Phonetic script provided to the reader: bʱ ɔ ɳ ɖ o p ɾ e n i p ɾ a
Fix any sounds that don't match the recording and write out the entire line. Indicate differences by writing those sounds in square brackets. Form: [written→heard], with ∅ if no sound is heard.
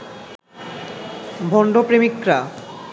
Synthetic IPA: bʱ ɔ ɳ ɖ o p ɾ e [n→m] i [p→k] ɾ a